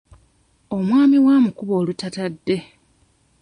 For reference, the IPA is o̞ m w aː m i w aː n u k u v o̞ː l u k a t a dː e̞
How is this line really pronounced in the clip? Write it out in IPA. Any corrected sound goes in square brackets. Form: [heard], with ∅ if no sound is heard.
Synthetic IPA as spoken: o̞ m w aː m i w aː [m] u k u [β] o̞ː l u [t] a t a dː e̞